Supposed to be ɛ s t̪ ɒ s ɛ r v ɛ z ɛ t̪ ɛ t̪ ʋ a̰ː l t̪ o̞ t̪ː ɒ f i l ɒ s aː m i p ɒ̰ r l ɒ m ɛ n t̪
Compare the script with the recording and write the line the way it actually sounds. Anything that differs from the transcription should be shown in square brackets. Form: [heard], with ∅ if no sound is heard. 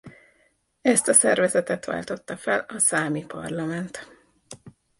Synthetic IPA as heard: ɛ s t̪ ɒ s ɛ r v ɛ z ɛ t̪ ɛ t̪ ʋ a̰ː l t̪ o̞ t̪ː ɒ f [ɛ] l ɒ s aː m i p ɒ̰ r l ɒ m ɛ n t̪